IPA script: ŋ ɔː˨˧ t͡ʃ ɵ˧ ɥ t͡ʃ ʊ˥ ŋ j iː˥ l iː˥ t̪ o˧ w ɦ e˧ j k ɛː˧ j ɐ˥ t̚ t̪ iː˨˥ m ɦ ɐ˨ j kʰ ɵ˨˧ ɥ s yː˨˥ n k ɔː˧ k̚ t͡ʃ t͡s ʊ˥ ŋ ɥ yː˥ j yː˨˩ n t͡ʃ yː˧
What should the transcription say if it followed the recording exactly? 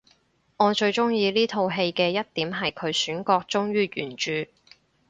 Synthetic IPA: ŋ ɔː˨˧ t͡ʃ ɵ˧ ɥ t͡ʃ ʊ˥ ŋ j iː˧ l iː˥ t̪ʰ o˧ w ɦ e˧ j k ɛː˧ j ɐ˥ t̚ t̪ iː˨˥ m ɦ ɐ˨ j kʰ ɵ˨˧ ɥ s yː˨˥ n k ɔː˧ k̚ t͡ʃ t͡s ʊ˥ ŋ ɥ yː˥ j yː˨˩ n t͡ʃ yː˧